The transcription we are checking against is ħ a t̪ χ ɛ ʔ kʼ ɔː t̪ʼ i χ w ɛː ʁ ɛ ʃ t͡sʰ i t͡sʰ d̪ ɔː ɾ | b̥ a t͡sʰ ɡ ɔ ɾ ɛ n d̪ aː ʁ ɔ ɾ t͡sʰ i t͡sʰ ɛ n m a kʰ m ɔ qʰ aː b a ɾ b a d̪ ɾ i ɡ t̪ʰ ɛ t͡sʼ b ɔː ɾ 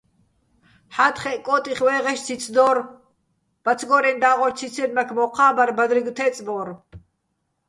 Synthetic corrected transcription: ħ a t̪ χ ɛ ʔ kʼ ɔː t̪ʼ i χ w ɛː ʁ ɛ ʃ t͡sʰ i t͡sʰ d̪ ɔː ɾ | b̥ a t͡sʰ ɡ ɔ ɾ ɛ n d̪ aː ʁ ɔ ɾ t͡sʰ i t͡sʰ ɛ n m a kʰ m ɔ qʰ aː b a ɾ b a d̪ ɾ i ɡ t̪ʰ ɛ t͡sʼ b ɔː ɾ